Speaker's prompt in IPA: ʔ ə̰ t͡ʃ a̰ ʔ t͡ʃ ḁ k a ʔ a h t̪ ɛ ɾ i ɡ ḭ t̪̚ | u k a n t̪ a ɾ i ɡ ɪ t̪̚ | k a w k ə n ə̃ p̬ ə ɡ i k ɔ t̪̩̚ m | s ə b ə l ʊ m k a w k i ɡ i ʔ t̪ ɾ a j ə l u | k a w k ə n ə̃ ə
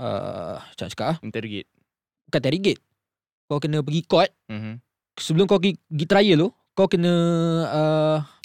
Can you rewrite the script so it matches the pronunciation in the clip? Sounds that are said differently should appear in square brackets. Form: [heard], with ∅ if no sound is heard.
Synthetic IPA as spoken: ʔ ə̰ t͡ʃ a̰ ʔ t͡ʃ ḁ k a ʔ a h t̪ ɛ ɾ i ɡ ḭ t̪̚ | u k a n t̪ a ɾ i ɡ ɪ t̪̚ | k a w k ə n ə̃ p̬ ə ɡ i k ɔ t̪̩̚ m | s ə b ə l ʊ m k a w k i ɡ i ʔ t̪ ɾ a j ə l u | k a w k ə n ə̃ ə